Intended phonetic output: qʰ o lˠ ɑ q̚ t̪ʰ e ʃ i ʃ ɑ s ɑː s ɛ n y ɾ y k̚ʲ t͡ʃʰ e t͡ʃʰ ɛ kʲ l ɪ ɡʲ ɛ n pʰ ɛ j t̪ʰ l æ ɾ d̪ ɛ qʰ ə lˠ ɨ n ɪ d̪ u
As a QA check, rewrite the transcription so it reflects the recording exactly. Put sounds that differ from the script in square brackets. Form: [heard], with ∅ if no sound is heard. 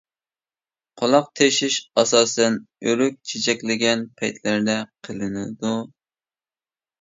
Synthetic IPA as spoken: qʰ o lˠ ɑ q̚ t̪ʰ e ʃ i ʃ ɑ s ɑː s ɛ n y ɾ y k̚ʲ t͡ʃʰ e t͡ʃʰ ɛ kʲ l ɪ ɡʲ ɛ n pʰ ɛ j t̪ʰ l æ ɾ d̪ ɛ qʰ ə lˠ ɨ n ɪ d̪ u